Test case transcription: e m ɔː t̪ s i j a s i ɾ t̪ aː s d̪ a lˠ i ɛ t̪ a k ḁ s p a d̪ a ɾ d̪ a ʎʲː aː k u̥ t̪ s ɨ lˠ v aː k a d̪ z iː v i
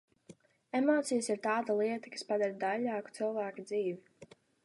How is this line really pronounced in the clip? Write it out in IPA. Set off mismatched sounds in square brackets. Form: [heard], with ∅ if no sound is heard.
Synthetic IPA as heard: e m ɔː t̪ s i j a s i ɾ t̪ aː [∅] d̪ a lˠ i ɛ t̪ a k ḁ s p a d̪ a ɾ d̪ a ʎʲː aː k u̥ t̪ s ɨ lˠ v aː k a d̪ z iː v i